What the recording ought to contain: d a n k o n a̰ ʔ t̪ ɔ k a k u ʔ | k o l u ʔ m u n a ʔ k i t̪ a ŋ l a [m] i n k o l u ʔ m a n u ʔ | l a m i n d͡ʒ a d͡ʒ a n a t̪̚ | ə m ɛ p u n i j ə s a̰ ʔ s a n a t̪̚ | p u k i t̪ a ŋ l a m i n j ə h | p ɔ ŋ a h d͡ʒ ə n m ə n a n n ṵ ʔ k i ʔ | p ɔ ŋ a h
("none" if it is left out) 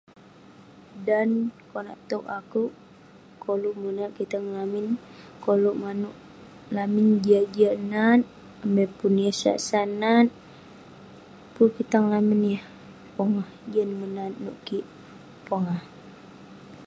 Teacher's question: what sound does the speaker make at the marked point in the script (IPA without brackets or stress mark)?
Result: m